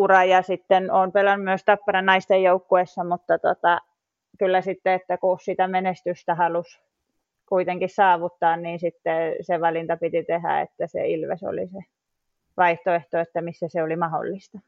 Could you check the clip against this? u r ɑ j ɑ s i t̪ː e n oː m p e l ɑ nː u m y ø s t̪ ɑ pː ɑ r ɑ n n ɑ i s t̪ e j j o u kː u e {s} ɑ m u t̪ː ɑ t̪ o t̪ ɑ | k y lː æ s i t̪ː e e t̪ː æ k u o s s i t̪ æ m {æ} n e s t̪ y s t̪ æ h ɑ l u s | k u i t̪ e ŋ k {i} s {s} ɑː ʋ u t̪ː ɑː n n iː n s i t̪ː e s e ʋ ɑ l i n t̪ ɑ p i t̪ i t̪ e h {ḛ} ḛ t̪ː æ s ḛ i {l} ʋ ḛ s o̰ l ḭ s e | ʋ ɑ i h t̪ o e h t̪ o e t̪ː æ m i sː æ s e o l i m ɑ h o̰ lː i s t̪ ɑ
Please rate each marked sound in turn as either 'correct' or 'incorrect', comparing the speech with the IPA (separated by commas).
incorrect, incorrect, correct, correct, incorrect, correct